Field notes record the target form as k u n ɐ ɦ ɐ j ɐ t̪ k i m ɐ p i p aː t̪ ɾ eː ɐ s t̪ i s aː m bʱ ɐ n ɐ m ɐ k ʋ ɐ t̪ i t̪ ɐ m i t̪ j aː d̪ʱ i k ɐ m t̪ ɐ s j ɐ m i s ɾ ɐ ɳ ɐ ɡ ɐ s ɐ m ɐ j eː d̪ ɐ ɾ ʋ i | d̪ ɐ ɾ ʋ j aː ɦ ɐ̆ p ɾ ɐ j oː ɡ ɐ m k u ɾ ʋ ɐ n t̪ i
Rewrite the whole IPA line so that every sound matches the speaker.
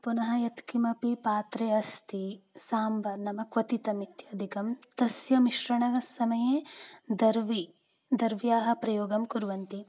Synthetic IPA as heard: p u n ɐ ɦ ɐ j ɐ t̪ k i m ɐ p i p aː t̪ ɾ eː ɐ s t̪ i s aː m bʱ ɐ n ɐ m ɐ k ʋ ɐ t̪ i t̪ ɐ m i t̪ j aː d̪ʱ i k ɐ m t̪ ɐ s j ɐ m i ʃ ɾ ɐ ɳ ɐ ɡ ɐ s ɐ m ɐ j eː d̪ ɐ ɾ ʋ i | d̪ ɐ ɾ ʋ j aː ɦ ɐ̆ p ɾ ɐ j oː ɡ ɐ m k u ɾ ʋ ɐ n t̪ i